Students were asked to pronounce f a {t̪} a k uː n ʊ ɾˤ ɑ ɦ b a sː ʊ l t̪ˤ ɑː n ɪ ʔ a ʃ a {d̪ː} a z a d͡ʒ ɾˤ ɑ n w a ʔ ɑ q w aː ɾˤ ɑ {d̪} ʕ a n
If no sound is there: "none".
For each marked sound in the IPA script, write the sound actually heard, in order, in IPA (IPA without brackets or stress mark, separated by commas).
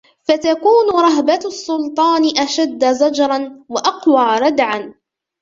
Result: t̪, d̪ː, d̪